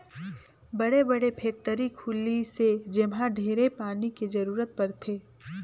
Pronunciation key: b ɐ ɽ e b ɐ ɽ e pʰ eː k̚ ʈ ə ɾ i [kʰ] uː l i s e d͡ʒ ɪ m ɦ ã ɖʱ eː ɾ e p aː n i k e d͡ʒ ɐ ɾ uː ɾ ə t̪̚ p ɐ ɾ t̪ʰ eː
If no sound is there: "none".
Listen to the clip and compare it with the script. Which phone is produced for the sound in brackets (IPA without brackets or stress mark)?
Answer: kʰ